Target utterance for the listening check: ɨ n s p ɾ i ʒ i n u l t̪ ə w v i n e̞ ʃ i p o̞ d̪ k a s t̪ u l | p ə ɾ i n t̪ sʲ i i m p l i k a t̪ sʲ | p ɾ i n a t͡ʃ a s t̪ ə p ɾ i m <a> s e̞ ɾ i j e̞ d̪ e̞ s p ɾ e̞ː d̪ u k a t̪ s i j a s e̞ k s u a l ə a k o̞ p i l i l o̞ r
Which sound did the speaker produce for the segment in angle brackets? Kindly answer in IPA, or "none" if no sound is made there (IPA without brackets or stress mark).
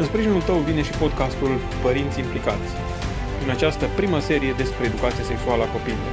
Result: ə